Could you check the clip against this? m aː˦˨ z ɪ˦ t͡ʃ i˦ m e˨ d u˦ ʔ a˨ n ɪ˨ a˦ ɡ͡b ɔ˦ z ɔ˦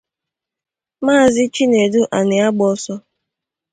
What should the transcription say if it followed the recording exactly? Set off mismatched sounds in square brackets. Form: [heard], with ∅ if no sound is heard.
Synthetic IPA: m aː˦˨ z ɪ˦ t͡ʃ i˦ [n] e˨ d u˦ ʔ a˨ n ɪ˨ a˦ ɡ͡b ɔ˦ [s] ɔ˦